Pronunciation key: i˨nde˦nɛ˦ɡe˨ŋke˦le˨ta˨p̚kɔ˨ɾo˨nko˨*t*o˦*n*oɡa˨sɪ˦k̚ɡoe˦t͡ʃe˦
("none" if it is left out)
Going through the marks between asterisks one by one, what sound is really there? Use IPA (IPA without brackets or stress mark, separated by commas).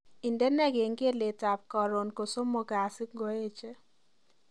s, m